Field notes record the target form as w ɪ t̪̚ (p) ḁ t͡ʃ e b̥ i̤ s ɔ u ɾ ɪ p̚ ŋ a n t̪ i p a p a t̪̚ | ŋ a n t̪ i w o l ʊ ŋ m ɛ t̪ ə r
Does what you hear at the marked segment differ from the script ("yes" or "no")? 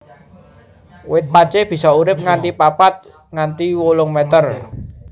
no